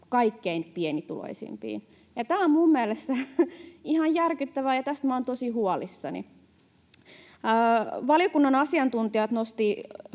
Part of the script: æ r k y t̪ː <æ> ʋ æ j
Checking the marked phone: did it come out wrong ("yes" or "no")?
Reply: no